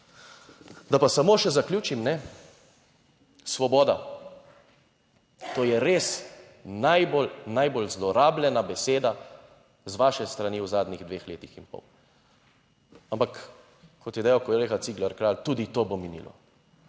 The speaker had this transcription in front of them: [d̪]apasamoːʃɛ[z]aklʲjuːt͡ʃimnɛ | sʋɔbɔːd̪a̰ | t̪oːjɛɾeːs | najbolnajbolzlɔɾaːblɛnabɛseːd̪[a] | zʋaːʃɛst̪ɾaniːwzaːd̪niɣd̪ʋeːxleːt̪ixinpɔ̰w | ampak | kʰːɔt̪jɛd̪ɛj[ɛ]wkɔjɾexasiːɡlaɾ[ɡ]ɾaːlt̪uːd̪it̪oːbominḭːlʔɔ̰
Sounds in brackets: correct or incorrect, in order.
correct, correct, correct, incorrect: a, incorrect: k

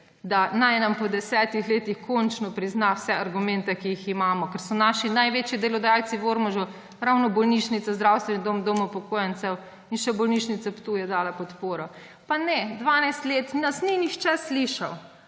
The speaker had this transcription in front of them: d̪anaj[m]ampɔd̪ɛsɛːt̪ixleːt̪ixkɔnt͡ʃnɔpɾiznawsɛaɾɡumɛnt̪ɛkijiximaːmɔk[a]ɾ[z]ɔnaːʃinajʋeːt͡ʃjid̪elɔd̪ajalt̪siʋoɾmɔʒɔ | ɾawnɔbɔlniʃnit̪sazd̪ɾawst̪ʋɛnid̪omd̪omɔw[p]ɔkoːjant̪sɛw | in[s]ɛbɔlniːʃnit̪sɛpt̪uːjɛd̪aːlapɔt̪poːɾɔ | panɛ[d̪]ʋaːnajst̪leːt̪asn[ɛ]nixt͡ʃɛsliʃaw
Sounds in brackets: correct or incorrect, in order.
incorrect: n, incorrect: ɛ, incorrect: s, correct, incorrect: ʃ, correct, incorrect: i

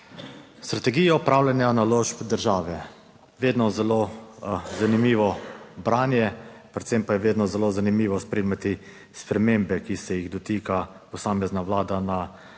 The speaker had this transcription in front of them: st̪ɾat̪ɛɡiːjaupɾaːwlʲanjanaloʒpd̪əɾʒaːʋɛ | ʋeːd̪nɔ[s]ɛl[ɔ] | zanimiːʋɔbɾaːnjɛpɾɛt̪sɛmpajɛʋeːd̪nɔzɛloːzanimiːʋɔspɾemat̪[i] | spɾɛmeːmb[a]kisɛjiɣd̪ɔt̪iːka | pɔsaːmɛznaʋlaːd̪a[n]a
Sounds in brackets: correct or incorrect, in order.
incorrect: z, incorrect: o, correct, incorrect: ɛ, correct

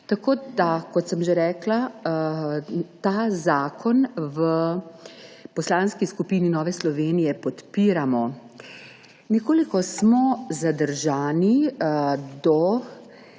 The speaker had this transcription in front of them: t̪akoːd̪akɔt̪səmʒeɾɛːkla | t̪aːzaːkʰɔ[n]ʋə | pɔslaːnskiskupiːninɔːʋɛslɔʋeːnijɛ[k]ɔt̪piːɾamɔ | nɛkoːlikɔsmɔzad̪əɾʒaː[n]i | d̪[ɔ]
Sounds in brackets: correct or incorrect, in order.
correct, incorrect: p, correct, correct

